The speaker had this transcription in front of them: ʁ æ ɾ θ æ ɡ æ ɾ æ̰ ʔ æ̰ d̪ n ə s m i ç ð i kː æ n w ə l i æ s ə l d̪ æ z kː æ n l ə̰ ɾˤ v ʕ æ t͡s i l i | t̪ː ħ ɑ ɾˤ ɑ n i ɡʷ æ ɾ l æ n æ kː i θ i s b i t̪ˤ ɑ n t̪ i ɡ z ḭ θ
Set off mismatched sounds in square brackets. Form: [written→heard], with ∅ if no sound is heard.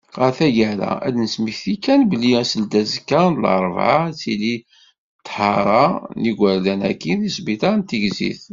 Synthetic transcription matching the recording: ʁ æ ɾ θ æ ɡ æ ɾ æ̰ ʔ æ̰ d̪ n ə s m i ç [ð→θ] i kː æ n [w→b] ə l i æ s ə l d̪ æ z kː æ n l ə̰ ɾˤ v ʕ [æ→a] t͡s i l i | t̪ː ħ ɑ ɾˤ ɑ n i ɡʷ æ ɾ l æ n æ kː i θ i s b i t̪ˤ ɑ n t̪ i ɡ z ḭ θ